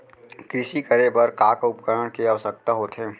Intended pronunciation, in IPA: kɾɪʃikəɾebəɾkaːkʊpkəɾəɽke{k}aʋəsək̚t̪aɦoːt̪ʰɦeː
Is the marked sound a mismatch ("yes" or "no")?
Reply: yes